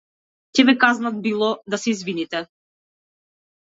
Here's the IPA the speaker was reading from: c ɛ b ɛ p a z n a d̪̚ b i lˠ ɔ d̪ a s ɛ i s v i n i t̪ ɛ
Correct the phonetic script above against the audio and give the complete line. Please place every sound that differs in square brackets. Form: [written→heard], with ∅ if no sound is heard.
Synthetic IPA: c ɛ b ɛ [p→k] a z n a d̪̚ b i lˠ ɔ d̪ a s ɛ i [s→z] v i n i t̪ ɛ